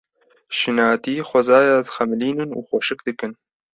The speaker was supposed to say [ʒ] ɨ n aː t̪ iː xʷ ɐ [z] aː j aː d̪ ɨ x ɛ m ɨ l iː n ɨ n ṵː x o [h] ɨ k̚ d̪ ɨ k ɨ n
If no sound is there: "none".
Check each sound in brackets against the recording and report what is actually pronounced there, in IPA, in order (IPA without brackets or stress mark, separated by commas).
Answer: ʃ, z, ʃ